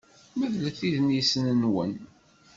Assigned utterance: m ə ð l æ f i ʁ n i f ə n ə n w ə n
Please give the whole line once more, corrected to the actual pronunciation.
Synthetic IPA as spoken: m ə ð l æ θ i ð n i s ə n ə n w ə n